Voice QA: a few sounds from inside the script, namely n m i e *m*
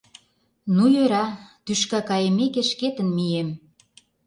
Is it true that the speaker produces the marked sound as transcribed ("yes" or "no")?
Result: yes